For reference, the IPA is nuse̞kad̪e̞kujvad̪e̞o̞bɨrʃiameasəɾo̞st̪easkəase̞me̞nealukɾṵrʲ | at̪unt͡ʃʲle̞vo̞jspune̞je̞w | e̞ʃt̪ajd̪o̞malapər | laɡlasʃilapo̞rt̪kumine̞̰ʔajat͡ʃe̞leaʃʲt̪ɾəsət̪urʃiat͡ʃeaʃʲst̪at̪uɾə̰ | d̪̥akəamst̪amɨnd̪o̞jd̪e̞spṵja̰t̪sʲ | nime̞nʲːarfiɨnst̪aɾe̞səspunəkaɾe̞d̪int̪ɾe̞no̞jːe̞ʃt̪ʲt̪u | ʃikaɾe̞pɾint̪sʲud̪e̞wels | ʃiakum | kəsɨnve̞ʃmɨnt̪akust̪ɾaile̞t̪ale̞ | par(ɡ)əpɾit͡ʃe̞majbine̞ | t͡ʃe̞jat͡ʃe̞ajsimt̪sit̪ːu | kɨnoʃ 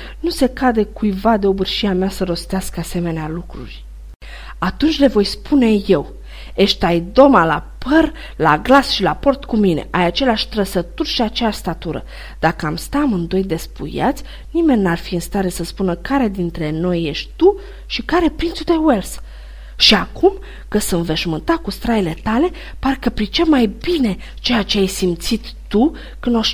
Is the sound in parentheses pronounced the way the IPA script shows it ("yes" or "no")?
no